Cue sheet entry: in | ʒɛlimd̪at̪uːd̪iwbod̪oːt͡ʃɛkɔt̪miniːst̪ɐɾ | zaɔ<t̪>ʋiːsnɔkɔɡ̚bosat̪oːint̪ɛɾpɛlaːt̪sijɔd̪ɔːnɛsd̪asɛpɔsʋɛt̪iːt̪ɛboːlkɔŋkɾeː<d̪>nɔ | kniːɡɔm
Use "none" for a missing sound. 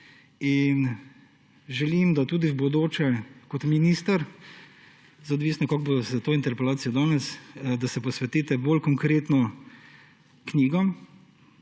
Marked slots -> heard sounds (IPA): d̪, t̪

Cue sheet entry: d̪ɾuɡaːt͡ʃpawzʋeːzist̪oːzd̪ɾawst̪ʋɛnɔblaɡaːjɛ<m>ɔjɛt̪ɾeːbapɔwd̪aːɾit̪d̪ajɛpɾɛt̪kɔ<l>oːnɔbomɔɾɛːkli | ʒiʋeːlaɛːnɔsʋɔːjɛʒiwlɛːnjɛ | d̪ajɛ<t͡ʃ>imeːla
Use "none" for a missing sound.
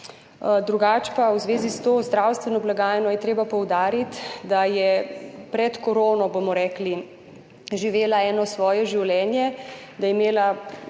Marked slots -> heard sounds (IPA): n, ɾ, none

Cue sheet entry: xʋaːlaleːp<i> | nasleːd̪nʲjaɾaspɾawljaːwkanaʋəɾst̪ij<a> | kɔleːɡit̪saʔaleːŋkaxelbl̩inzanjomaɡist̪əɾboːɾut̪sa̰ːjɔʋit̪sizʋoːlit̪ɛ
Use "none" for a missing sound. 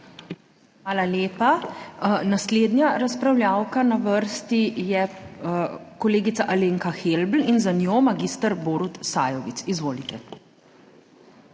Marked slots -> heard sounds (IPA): a, ɛ

